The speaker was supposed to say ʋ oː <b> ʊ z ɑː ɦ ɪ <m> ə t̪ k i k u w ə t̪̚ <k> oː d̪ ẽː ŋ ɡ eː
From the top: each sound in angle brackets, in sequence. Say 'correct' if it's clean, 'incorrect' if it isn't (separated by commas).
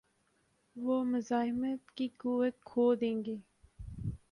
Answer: incorrect, correct, incorrect